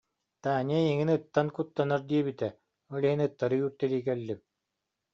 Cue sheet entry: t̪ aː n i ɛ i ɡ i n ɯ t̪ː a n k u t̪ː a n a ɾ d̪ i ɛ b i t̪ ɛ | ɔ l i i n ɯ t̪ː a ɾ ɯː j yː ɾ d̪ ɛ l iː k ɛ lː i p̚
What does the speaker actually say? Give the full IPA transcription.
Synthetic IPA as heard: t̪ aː n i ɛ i ŋ i n ɯ t̪ː a n k u t̪ː a n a ɾ d̪ i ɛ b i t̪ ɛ | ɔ l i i n ɯ t̪ː a ɾ ɯ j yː ɾ t̪ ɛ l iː k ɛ lː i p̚